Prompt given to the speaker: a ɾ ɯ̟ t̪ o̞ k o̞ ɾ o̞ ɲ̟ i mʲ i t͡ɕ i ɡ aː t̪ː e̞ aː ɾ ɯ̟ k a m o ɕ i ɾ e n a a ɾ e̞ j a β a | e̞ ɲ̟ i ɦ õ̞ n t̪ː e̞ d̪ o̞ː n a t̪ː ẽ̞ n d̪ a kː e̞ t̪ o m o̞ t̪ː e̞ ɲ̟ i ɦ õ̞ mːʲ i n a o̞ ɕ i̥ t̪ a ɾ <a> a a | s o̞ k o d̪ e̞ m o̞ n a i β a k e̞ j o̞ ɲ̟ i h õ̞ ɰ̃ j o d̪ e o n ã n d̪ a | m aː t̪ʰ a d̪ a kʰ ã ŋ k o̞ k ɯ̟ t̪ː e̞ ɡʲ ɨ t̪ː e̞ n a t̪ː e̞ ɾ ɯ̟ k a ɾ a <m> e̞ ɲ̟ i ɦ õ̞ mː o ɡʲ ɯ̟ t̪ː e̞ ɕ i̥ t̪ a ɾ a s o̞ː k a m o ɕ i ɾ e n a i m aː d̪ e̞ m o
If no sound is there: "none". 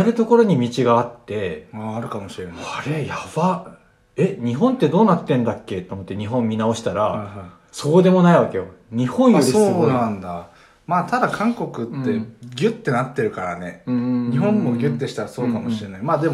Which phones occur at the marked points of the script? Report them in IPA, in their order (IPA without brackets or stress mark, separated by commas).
a, n